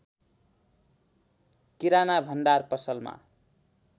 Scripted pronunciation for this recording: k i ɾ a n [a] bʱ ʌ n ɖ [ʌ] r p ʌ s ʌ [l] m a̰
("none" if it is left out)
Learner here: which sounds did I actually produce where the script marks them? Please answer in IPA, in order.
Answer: a, a, l

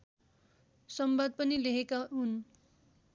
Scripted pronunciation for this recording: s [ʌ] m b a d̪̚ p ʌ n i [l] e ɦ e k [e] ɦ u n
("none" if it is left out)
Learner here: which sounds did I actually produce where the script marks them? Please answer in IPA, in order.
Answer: ʌ, l, a

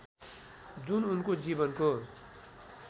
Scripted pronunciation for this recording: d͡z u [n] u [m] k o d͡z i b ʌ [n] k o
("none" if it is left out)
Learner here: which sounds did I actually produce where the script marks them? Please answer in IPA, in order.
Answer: n, n, n

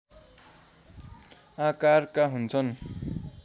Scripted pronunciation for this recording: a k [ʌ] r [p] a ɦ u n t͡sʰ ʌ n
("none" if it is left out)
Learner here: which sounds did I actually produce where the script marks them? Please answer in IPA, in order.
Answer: a, k

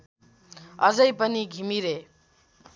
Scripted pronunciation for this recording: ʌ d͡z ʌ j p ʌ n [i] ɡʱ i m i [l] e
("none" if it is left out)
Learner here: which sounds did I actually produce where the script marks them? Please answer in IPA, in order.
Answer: i, ɾ

